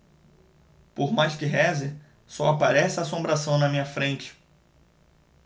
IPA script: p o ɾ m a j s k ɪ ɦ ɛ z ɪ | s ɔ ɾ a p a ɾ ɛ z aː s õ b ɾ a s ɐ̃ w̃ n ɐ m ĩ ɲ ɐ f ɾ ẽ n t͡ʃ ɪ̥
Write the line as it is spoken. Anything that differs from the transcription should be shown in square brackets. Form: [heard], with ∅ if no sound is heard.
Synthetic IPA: p o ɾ m a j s k ɪ ɦ ɛ z ɪ | s ɔ [∅] a p a ɾ ɛ [s] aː s õ b ɾ a s ɐ̃ w̃ n ɐ m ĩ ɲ ɐ f ɾ ẽ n t͡ʃ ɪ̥